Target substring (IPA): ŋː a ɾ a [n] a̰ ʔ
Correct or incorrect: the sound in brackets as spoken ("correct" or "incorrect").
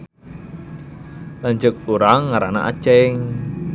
correct